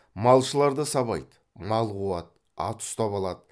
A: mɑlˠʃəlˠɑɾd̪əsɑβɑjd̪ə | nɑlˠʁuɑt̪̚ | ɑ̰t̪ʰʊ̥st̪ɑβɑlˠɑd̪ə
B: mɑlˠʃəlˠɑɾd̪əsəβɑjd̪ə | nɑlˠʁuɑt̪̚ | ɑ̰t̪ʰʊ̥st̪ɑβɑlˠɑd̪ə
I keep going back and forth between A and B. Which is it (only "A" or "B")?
A